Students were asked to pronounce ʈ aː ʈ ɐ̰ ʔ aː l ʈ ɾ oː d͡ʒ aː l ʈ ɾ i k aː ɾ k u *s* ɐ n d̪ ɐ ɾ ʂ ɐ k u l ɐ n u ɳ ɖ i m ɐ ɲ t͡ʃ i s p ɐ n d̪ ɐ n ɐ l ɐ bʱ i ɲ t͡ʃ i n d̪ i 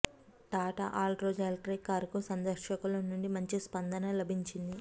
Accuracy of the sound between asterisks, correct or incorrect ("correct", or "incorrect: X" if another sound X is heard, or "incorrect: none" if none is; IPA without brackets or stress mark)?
correct